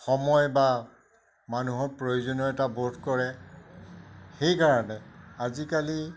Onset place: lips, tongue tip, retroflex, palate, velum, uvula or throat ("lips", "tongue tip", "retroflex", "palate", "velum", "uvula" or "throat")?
velum